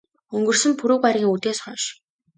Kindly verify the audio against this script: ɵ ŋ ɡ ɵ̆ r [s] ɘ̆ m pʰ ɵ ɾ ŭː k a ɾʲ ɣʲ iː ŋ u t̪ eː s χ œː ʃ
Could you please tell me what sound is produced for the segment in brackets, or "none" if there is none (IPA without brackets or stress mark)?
s